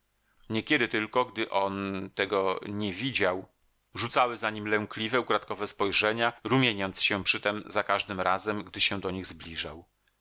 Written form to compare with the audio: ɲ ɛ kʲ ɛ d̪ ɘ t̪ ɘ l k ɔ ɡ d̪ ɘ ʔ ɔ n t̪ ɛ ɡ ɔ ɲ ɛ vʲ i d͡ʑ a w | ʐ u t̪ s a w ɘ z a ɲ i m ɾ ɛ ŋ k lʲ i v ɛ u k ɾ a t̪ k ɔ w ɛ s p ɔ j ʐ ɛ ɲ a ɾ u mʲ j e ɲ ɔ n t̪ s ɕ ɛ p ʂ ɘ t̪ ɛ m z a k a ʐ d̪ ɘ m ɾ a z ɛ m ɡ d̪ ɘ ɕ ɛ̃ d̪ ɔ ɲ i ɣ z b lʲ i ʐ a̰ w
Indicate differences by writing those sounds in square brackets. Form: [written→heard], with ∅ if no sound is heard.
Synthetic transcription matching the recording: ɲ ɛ kʲ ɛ d̪ ɘ t̪ ɘ l k ɔ ɡ d̪ ɘ ʔ ɔ n t̪ ɛ ɡ ɔ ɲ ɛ vʲ i d͡ʑ a w | ʐ u t̪ s a w ɘ z a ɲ i m [ɾ→l] ɛ ŋ k lʲ i v ɛ u k ɾ a t̪ k ɔ [w→v] ɛ s p ɔ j ʐ ɛ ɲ a ɾ u mʲ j e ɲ ɔ n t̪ s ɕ ɛ p ʂ ɘ t̪ ɛ m z a k a ʐ d̪ ɘ m ɾ a z ɛ m ɡ d̪ ɘ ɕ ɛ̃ d̪ ɔ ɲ i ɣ z b lʲ i ʐ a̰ w

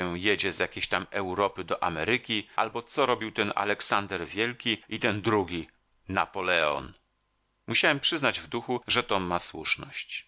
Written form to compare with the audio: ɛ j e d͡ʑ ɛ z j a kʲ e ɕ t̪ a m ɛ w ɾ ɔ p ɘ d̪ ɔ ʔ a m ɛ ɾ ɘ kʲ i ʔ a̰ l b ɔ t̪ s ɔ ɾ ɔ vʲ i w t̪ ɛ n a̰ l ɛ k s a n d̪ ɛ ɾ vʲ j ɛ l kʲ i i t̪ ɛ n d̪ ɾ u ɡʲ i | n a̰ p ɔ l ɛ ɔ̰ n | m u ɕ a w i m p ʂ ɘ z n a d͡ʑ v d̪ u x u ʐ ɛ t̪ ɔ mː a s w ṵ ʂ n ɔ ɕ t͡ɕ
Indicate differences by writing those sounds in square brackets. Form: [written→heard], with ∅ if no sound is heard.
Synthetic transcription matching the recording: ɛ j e d͡ʑ ɛ z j a kʲ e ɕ t̪ a m ɛ w ɾ ɔ p ɘ d̪ ɔ ʔ a m ɛ ɾ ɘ kʲ i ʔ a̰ l b ɔ t̪ s ɔ ɾ ɔ [vʲ→bʲ] i w t̪ ɛ n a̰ l ɛ k s a n d̪ ɛ ɾ vʲ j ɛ l kʲ i i t̪ ɛ n d̪ ɾ u ɡʲ i | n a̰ p ɔ l ɛ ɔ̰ n | m u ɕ a w [i→ɛ] m p ʂ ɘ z n a d͡ʑ v d̪ u x u ʐ ɛ t̪ ɔ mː a s w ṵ ʂ n ɔ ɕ t͡ɕ

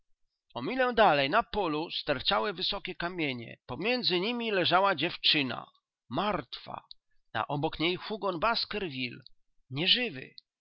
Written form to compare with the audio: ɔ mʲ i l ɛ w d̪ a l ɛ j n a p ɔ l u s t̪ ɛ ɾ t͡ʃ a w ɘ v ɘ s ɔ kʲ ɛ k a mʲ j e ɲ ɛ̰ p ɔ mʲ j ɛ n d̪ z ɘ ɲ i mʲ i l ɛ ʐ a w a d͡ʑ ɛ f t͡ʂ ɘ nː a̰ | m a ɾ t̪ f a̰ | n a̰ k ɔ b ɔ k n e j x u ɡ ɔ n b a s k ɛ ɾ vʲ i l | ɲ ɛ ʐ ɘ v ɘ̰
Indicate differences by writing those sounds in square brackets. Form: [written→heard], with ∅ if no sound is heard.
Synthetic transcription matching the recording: ɔ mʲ i l ɛ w d̪ a l ɛ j n a p ɔ l u s t̪ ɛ ɾ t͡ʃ a w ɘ v ɘ s ɔ kʲ ɛ k a mʲ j e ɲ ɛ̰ p ɔ mʲ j ɛ n d̪ z ɘ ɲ i mʲ i l ɛ ʐ a w a d͡ʑ ɛ f t͡ʂ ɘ [nː→n] a̰ | m a ɾ t̪ f a̰ | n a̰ [k→ʔ] ɔ b ɔ k [n→ɲ] e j x u ɡ ɔ n b a s k ɛ ɾ vʲ i l | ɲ ɛ ʐ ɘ v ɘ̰

